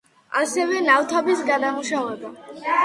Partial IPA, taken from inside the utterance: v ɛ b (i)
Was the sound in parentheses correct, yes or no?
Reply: no